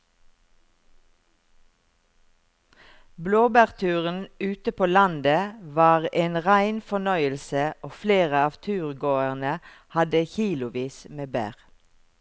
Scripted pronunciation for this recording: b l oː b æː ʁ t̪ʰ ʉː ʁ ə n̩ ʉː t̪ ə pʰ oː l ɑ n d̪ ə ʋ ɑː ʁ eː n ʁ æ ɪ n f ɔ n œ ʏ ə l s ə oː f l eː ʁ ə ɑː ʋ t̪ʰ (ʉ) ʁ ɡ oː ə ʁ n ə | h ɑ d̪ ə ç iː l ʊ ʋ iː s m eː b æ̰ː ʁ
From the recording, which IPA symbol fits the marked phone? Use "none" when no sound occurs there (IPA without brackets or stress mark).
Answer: ʉː